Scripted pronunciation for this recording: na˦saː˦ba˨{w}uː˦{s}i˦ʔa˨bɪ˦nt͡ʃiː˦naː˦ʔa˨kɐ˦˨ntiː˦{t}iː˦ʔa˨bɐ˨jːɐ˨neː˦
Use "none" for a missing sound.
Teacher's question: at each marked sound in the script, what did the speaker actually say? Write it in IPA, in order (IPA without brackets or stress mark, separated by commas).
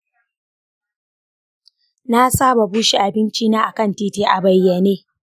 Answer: b, ʃ, t